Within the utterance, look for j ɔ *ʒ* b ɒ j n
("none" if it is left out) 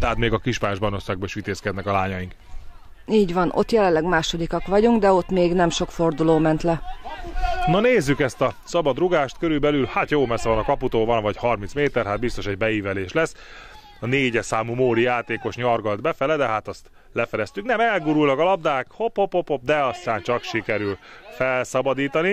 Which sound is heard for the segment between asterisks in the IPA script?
ʒ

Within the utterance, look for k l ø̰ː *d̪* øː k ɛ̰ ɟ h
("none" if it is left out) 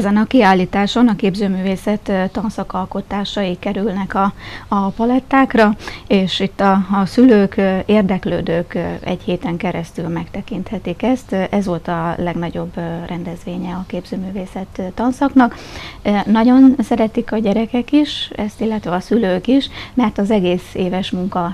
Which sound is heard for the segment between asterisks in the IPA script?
d̪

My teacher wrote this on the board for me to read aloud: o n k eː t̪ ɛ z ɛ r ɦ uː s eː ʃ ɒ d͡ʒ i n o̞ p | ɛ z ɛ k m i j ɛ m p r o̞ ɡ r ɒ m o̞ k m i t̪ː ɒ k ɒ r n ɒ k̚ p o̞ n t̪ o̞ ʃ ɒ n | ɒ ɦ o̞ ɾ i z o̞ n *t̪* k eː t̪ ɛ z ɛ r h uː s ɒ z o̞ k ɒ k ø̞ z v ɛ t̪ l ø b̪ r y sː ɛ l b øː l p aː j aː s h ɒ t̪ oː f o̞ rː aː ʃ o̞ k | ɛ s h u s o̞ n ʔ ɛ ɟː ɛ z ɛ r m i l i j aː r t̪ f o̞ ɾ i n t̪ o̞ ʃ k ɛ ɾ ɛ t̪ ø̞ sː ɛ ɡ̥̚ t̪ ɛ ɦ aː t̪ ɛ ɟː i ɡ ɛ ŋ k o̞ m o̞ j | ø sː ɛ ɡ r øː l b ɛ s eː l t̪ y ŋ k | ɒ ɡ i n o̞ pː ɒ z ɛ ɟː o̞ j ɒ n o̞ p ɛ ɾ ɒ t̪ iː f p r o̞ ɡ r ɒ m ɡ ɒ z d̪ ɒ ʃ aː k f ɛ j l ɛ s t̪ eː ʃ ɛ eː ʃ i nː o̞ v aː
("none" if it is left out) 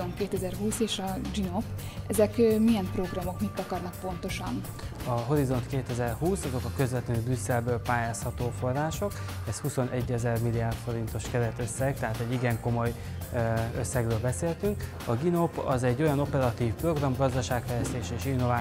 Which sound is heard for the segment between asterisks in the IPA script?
t̪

